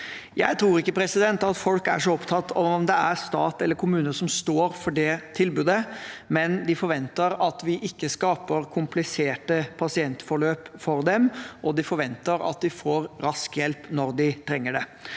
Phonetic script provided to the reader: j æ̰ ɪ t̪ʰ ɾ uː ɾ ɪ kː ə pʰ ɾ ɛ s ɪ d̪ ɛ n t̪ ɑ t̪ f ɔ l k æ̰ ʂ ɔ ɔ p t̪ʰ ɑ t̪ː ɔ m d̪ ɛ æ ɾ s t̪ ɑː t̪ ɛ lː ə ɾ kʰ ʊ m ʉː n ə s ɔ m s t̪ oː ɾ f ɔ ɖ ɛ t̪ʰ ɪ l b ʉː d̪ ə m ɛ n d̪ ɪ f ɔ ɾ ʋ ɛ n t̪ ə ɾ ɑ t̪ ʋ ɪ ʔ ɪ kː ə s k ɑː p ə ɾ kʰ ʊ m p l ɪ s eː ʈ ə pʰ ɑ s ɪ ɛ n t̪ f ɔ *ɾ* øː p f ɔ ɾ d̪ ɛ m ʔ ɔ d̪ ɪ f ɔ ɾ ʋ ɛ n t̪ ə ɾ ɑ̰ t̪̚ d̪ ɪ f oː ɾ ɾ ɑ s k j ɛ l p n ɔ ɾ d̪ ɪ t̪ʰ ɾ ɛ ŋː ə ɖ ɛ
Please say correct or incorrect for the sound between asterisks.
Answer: incorrect: ɭ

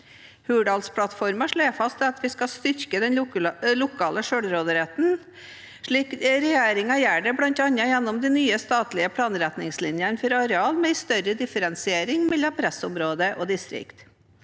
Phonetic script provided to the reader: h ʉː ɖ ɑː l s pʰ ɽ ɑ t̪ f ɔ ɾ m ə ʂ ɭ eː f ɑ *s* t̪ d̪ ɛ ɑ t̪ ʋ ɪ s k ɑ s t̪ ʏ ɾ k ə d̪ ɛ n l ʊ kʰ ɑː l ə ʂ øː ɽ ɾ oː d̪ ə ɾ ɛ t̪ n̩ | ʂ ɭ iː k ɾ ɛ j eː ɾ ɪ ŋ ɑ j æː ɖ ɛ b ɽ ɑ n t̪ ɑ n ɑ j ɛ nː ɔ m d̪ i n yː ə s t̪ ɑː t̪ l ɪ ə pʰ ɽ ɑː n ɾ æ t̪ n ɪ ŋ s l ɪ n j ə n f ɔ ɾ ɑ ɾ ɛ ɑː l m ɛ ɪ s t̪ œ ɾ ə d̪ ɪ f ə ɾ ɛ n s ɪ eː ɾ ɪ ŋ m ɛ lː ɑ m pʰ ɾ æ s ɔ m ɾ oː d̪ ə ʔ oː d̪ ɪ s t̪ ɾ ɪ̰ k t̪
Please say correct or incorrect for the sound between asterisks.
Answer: correct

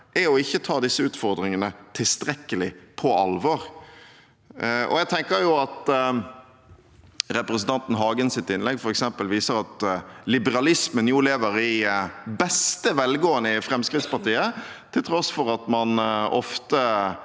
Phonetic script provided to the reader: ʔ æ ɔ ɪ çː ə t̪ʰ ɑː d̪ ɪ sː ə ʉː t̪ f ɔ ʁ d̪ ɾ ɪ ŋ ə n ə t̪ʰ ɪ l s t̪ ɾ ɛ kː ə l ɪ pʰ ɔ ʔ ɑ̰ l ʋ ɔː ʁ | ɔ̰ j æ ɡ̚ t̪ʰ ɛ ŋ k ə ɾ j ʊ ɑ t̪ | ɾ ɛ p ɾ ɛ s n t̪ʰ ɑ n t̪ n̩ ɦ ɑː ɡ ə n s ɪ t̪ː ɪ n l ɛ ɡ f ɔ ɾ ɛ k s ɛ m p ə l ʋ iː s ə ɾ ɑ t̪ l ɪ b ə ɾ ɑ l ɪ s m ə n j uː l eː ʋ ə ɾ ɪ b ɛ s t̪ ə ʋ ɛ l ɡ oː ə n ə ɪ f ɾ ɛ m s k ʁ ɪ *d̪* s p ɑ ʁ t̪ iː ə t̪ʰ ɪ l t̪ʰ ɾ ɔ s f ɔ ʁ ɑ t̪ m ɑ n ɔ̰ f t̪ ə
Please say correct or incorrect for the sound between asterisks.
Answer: incorrect: t̪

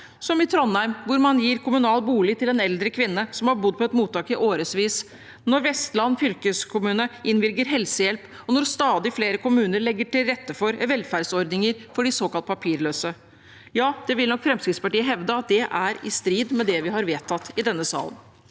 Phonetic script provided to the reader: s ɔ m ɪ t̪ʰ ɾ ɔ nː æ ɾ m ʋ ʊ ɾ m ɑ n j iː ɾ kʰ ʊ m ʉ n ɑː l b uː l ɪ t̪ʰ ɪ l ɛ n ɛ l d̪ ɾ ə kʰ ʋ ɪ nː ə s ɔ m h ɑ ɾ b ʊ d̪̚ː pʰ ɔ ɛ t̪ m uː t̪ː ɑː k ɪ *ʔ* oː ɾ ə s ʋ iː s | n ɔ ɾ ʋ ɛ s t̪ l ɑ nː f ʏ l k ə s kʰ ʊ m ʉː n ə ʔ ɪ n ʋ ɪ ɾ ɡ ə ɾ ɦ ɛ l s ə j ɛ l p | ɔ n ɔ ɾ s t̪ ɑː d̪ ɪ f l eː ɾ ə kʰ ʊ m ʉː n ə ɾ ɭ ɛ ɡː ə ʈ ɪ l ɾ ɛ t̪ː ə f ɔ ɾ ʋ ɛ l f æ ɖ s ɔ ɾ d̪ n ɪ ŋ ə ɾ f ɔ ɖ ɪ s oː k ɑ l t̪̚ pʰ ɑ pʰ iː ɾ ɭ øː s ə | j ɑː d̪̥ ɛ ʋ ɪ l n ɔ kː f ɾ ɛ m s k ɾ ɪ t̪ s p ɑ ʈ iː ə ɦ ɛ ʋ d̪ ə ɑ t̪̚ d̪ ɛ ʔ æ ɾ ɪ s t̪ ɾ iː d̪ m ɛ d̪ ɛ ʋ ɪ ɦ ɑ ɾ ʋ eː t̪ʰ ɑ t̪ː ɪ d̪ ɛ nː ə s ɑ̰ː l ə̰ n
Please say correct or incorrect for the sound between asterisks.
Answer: correct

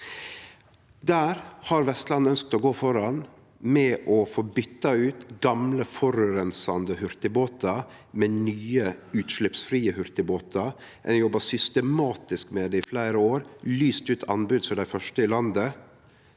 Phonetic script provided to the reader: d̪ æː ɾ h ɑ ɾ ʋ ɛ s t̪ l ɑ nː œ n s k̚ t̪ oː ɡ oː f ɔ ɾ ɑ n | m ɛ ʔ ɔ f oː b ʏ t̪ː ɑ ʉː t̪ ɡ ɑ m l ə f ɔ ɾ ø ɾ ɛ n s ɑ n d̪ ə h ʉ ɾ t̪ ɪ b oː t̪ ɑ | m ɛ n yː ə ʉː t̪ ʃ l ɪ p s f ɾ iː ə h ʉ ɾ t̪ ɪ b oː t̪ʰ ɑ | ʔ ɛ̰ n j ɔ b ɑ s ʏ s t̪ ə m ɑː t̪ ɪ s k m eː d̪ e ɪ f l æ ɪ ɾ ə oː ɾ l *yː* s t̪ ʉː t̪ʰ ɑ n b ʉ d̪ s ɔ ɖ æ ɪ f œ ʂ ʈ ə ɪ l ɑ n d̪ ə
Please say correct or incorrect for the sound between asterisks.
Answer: correct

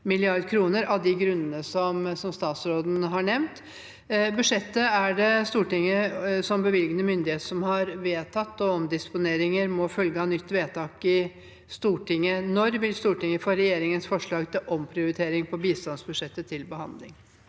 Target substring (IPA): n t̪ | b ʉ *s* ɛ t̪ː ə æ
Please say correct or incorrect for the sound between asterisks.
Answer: incorrect: ʂ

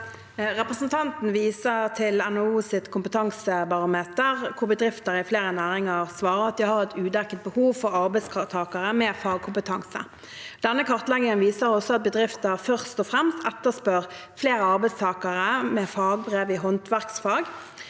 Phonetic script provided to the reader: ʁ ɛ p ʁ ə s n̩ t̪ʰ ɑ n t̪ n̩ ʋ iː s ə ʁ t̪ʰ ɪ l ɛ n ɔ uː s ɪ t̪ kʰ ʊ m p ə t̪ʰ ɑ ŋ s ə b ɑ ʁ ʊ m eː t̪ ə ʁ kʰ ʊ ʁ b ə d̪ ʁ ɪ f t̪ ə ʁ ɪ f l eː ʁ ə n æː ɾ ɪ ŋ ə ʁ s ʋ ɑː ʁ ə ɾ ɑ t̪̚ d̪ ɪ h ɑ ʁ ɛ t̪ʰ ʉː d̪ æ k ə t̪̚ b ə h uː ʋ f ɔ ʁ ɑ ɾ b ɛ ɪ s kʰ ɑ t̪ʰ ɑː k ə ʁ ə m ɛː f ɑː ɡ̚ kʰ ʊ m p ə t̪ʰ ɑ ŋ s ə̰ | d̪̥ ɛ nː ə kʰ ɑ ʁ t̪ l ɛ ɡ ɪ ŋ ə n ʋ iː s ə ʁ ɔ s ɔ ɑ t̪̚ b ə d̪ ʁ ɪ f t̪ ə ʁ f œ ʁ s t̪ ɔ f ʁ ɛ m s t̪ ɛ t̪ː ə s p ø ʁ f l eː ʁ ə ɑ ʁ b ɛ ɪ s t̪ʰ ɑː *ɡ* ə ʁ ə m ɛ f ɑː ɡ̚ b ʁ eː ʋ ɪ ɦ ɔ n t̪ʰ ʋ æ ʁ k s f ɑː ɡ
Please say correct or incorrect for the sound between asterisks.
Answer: incorrect: k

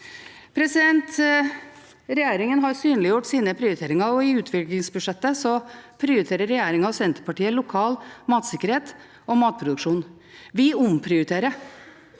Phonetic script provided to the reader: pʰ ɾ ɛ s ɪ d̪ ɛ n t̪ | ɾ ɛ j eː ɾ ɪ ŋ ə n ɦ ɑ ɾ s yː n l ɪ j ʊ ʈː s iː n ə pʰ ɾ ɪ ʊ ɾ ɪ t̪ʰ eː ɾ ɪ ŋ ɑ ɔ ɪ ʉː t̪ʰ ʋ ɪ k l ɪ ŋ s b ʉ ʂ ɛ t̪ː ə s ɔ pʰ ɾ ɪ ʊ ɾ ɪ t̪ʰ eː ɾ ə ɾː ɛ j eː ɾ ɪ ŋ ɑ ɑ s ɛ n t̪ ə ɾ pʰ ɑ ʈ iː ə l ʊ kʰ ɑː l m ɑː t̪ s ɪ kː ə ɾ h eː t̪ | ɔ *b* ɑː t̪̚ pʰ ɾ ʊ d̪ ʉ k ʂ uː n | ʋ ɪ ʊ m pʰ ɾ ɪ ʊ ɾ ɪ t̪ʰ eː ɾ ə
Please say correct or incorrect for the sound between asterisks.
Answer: incorrect: m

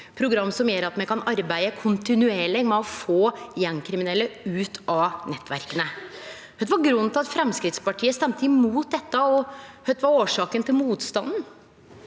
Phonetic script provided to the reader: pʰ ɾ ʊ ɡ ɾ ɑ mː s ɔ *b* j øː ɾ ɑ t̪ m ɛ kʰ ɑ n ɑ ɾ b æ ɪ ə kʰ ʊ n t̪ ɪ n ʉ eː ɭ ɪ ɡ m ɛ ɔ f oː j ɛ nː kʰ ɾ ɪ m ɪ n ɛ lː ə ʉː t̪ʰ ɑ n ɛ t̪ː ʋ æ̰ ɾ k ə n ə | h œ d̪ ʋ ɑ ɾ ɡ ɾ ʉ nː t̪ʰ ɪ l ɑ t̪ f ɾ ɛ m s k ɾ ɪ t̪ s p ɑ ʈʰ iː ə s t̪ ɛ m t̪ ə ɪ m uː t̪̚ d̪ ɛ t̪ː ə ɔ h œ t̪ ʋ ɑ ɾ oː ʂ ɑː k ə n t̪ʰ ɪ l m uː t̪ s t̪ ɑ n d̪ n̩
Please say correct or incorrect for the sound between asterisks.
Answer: incorrect: m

